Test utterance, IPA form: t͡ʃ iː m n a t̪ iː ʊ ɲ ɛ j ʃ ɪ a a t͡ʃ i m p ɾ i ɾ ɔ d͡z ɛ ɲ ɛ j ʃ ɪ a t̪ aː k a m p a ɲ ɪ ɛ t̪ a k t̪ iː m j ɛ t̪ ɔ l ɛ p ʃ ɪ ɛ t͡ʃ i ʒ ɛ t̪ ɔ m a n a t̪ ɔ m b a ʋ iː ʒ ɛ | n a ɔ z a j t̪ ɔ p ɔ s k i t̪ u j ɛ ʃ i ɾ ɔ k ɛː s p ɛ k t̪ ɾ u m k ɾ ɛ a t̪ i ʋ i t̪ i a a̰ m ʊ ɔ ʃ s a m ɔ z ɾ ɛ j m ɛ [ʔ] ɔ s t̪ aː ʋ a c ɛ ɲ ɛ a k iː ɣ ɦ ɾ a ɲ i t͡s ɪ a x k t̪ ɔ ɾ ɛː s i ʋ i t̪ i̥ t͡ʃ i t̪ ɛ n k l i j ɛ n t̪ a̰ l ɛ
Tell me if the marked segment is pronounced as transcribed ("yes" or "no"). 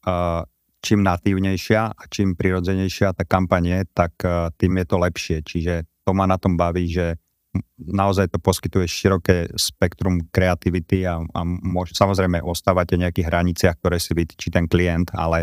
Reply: yes